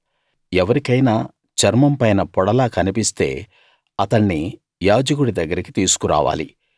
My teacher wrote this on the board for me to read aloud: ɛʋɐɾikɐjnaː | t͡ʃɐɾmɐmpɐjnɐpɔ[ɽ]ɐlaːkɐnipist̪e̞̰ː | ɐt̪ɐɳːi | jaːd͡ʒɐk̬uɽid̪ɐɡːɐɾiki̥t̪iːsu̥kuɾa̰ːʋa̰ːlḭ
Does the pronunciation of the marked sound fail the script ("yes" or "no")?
no